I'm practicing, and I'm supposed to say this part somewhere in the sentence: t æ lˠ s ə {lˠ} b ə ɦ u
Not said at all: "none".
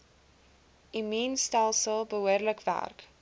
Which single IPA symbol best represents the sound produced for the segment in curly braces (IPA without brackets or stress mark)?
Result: lˠ